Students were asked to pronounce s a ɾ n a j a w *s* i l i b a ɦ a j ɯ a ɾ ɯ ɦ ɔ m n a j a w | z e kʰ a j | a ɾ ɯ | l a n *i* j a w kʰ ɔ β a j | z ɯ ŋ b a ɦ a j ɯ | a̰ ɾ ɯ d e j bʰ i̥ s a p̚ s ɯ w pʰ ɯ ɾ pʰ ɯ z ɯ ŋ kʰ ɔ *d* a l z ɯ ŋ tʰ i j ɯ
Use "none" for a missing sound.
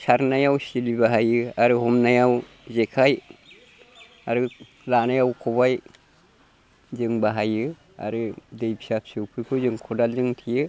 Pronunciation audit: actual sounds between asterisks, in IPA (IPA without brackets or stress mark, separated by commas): s, a, d